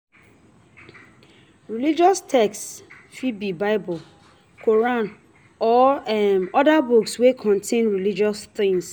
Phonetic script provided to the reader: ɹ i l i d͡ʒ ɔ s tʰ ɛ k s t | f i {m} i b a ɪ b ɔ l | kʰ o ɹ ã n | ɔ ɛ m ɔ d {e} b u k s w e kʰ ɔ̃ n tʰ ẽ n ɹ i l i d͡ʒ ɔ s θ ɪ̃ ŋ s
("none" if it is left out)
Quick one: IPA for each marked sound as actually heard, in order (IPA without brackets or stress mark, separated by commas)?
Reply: b, a